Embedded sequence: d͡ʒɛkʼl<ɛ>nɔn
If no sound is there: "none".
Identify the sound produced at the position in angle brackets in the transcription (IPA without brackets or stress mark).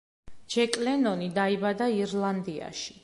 ɛ